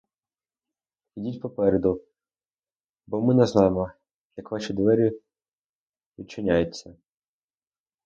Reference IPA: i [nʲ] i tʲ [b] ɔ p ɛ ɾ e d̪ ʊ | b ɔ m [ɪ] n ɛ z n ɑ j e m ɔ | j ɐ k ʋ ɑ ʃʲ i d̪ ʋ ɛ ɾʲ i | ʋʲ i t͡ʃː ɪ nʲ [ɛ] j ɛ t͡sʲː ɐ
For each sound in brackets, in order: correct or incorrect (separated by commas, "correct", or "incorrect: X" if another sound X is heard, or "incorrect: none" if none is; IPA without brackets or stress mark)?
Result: incorrect: dʲ, incorrect: p, correct, incorrect: a